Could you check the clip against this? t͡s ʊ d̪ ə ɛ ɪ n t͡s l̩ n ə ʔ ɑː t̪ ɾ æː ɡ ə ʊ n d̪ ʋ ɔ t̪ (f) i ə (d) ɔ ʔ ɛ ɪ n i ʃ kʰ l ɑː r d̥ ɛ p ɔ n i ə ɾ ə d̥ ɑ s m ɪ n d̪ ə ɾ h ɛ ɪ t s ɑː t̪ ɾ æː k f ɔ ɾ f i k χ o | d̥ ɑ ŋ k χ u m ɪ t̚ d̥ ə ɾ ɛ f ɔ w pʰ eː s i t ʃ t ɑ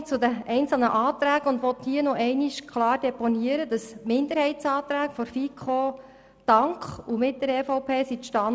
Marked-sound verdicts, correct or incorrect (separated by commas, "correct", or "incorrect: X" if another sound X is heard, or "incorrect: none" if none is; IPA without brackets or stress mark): incorrect: h, incorrect: n